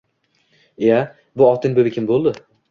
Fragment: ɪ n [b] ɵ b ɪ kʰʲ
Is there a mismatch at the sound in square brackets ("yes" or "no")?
no